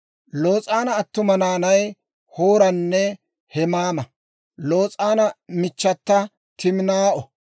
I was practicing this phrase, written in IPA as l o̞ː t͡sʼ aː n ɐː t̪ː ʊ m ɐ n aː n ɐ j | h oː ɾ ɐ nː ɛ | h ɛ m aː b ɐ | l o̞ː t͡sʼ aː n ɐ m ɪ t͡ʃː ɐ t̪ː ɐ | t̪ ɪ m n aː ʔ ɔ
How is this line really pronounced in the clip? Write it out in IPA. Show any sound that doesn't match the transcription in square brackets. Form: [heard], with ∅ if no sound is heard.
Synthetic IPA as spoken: l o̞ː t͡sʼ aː n ɐː t̪ː ʊ m ɐ n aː n ɐ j | h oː ɾ ɐ nː ɛ | h ɛ m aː [m] ɐ | l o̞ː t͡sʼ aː n ɐ m ɪ t͡ʃː ɐ t̪ː ɐ | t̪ ɪ m n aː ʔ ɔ